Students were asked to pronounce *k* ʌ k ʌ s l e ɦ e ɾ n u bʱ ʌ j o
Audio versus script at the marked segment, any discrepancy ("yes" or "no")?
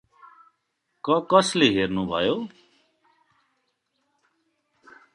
no